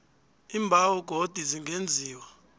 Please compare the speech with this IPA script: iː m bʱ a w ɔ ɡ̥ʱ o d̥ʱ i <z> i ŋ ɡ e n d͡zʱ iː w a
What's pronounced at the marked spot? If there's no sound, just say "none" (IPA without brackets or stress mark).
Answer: z